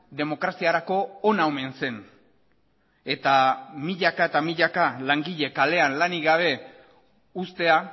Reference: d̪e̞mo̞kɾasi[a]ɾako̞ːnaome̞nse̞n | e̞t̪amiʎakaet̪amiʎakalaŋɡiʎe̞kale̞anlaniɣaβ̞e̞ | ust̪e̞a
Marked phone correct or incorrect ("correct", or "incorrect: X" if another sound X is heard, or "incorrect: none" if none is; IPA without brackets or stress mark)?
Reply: correct